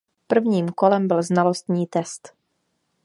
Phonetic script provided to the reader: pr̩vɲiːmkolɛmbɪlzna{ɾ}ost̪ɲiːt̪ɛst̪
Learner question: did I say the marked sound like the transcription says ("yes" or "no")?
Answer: no